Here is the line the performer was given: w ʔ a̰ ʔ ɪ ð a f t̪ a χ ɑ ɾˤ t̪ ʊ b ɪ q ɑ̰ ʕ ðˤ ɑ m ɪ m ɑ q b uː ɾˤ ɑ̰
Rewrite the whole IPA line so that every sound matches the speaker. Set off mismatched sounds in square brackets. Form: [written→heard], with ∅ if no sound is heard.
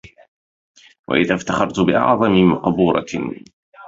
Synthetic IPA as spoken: w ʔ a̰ ʔ ɪ ð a f t̪ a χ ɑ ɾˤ t̪ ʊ b ɪ [q→ʔ] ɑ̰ ʕ ðˤ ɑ m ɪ m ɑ q b uː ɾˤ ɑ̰